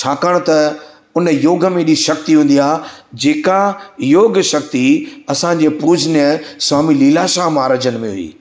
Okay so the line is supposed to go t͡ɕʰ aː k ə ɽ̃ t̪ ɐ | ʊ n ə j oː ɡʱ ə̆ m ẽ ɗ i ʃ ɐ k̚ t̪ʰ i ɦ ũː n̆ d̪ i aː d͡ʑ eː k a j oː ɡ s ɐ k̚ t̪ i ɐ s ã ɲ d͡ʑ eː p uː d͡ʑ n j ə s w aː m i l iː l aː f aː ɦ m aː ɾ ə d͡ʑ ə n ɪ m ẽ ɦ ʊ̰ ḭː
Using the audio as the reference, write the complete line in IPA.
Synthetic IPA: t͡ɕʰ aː k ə ɽ̃ t̪ ɐ | ʊ n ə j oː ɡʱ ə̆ m ẽ ɗ i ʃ ɐ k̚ t̪ i ɦ ũː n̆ d̪ i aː d͡ʑ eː k a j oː ɡ ʃ ɐ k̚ t̪ i ɐ s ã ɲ d͡ʑ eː p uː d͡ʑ n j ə s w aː m i l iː l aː ʃ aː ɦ m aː ɾ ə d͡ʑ ə n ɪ m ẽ ɦ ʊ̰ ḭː

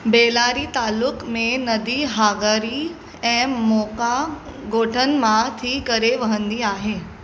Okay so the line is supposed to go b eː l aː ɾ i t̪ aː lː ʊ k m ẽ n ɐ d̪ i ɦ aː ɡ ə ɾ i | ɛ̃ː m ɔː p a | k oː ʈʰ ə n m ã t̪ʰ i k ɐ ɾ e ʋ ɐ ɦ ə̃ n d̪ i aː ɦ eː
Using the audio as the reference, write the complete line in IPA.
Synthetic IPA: b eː l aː ɾ i t̪ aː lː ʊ k m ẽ n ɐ d̪ i ɦ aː ɡ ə ɾ i | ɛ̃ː m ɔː k a | ɡ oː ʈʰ ə n m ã t̪ʰ i k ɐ ɾ e ʋ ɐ ɦ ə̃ n d̪ i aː ɦ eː

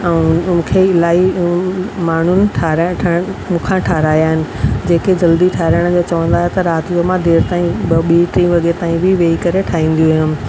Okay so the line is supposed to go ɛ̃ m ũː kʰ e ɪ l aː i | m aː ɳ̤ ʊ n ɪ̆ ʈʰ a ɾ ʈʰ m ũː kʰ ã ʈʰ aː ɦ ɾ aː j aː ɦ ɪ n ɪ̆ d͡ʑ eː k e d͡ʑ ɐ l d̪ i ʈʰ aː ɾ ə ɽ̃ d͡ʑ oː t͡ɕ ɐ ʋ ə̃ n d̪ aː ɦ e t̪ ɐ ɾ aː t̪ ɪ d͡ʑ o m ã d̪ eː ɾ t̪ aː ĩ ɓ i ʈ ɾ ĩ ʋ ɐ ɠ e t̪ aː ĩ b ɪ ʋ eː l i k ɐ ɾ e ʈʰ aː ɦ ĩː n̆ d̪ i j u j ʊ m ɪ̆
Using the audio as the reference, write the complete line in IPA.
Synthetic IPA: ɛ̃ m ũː kʰ e ɪ l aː i | m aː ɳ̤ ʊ n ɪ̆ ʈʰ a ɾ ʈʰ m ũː kʰ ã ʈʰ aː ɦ ɾ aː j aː ɦ ɪ n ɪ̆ d͡ʑ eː k e d͡ʑ ɐ l d̪ i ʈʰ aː ɾ ə ɽ̃ d͡ʑ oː t͡ɕ ɐ ʋ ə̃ n d̪ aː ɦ e t̪ ɐ ɾ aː t̪ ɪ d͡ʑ o m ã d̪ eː ɾ t̪ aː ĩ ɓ i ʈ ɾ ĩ ʋ ɐ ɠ e t̪ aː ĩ b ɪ ʋ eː i k ɐ ɾ e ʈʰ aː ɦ ĩː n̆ d̪ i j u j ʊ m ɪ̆

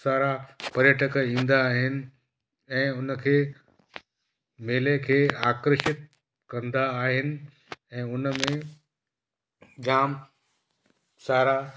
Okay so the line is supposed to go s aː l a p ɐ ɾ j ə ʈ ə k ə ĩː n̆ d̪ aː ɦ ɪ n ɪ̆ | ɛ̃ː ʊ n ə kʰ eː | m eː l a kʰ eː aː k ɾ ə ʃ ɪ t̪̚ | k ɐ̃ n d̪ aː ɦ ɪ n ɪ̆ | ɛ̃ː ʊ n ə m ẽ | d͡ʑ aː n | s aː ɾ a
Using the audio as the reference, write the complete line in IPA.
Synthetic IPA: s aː ɾ a p ɐ ɾ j ə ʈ ə k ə ĩː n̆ d̪ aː ɦ ɪ n ɪ̆ | ɛ̃ː ʊ n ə kʰ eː | m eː l e kʰ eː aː k ɾ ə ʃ ɪ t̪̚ | k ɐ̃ n d̪ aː ɦ ɪ n ɪ̆ | ɛ̃ː ʊ n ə m ẽ | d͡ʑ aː m | s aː ɾ a

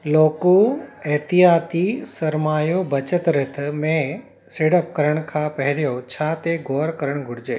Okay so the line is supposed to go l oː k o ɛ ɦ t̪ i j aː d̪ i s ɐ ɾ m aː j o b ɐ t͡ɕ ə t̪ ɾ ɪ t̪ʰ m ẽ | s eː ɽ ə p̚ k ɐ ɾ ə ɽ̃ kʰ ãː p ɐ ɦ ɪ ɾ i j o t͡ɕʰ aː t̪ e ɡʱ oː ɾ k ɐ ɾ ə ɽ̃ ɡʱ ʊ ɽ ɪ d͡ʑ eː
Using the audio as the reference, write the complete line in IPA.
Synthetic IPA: l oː k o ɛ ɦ t̪ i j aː t̪ i s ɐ ɾ m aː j o b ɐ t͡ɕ ə t̪ ɾ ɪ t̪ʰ m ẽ | s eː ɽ ə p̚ k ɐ ɾ ə ɽ̃ kʰ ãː p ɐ ɦ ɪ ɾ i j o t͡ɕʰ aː t̪ e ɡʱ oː ɾ k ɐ ɾ ə ɽ̃ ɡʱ ʊ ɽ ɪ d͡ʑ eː

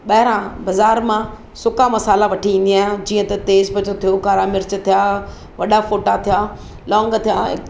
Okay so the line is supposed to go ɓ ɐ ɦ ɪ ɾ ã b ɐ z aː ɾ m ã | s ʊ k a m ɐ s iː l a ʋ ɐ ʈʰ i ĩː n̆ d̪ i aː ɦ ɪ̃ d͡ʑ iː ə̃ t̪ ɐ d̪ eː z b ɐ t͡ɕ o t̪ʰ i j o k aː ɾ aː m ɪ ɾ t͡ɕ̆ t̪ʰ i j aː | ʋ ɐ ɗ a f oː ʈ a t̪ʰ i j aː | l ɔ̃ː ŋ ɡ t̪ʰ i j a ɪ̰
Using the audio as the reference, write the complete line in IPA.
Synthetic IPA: ɓ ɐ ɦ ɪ ɾ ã b ɐ z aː ɾ m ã | s ʊ k a m ɐ s aː l a ʋ ɐ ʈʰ i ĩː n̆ d̪ i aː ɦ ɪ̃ d͡ʑ iː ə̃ t̪ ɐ t̪ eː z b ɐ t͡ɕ o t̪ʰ i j o k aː ɾ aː m ɪ ɾ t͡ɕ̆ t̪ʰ i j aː | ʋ ɐ ɗ a f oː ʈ a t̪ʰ i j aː | l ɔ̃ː ŋ ɡ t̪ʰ i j a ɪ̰

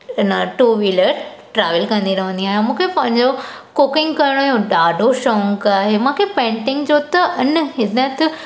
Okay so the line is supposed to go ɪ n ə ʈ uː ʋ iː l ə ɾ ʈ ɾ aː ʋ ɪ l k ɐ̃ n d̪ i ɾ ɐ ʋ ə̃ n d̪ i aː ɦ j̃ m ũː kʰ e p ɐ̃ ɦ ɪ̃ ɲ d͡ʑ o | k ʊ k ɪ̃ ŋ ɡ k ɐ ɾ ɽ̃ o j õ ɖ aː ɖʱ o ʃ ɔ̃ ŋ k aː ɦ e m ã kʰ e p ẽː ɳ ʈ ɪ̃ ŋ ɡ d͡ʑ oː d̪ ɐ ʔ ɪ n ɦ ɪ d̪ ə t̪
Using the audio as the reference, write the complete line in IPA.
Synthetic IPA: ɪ n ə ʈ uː ʋ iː l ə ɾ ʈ ɾ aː ʋ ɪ l k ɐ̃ n d̪ i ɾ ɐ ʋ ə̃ n d̪ i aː ɦ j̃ m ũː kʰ e p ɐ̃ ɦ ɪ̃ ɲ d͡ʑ o | k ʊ k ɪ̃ ŋ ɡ k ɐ ɾ ɽ̃ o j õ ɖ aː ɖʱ o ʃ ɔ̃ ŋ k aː ɦ e m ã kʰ e p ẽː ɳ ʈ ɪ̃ ŋ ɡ d͡ʑ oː t̪ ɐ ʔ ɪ n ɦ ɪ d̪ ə t̪

